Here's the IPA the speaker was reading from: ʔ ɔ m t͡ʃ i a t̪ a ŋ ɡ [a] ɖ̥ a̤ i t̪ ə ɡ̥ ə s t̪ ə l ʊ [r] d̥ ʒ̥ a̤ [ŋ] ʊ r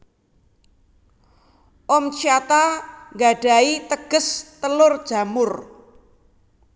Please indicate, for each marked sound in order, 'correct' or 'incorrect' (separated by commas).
correct, correct, incorrect